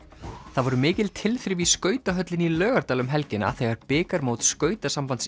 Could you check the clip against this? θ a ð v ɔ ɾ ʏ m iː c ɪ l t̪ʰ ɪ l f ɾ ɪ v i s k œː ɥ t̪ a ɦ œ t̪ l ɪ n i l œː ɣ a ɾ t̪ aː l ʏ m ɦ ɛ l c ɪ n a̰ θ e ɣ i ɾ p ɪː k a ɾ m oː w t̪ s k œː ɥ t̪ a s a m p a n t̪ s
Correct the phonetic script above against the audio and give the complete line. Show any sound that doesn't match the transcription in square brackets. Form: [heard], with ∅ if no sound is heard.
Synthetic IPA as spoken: θ a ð v ɔ ɾ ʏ m [ɪː] c ɪ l t̪ʰ ɪ l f ɾ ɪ v i s k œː ɥ t̪ a ɦ œ t̪ l ɪ n i l œː ɣ a ɾ t̪ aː l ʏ m ɦ ɛ l c ɪ n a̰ θ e ɣ [a] ɾ p ɪː k a ɾ m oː w t̪ s k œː ɥ t̪ a s a m p a n t̪ s